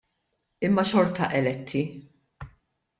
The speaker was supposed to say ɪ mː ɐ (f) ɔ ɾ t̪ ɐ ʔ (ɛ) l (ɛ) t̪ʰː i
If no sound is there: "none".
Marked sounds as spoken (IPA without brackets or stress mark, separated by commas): ʃ, ɛ, ɛ